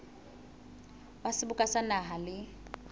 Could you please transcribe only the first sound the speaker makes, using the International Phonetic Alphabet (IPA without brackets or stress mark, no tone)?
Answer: w